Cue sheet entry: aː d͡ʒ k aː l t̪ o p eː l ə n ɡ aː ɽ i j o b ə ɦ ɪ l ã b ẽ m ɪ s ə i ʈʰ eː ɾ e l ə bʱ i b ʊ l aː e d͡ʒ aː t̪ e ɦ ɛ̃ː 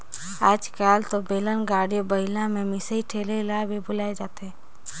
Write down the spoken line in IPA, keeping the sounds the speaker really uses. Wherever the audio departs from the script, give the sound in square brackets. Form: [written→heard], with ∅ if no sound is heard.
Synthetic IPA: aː d͡ʒ k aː l t̪ o [p→b] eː l ə n ɡ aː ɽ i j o b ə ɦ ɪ l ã [b→m] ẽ m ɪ s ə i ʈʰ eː [ɾ→l] e l [ə→a] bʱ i b ʊ l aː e d͡ʒ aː t̪ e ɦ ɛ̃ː